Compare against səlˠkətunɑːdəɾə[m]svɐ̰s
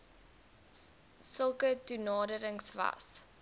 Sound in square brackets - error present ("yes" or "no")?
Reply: yes